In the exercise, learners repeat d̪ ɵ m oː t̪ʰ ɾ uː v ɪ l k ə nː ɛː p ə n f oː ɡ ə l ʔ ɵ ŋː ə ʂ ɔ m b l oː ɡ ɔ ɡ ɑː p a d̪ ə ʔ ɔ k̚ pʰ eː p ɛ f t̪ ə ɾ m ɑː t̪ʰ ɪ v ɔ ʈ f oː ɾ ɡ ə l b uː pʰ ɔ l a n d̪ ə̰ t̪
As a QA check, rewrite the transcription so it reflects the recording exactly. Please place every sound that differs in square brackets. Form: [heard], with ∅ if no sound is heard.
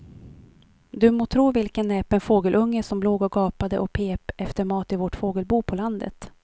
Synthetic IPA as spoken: d̪ ɵ m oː t̪ʰ ɾ uː v ɪ l k ə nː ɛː p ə n f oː ɡ ə l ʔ ɵ ŋː ə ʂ ɔ m b l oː ɡ ɔ ɡ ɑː p a d̪ ə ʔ ɔ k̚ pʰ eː p ɛ f t̪ ə ɾ m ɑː [t̪] ɪ v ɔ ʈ f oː [∅] ɡ ə l b uː pʰ ɔ l a n d̪ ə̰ t̪